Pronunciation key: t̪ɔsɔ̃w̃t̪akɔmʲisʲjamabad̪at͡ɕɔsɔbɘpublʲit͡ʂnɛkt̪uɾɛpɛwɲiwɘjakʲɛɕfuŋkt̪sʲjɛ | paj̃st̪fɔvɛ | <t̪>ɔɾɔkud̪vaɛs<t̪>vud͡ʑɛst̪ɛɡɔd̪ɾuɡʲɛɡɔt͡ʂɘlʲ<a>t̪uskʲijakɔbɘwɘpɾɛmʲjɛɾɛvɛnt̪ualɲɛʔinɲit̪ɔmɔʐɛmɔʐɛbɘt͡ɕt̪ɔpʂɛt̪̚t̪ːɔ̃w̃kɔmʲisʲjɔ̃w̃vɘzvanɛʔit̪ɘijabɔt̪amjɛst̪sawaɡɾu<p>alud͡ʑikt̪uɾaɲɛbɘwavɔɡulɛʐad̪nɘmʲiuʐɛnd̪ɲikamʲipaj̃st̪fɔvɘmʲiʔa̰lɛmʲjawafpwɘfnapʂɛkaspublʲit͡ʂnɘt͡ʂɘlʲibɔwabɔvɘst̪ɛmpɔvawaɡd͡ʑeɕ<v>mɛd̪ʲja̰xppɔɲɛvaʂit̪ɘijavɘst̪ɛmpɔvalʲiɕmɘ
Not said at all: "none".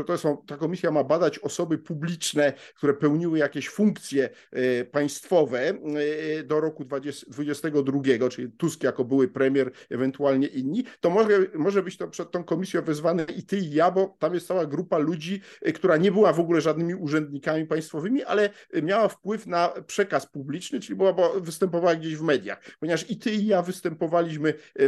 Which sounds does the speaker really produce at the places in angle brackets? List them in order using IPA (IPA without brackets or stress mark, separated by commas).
d̪, d̪, i, p, v